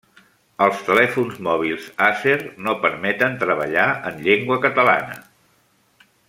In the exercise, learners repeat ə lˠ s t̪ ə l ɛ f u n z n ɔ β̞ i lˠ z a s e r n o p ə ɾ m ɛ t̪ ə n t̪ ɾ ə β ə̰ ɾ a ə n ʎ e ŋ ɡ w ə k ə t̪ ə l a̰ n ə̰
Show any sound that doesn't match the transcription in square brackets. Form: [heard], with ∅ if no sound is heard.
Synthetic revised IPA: ə lˠ s t̪ ə l ɛ f u n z [m] ɔ β̞ i lˠ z a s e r n o p ə ɾ m ɛ t̪ ə n t̪ ɾ ə β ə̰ [ʎ] a ə n ʎ e ŋ ɡ w ə k ə t̪ ə l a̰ n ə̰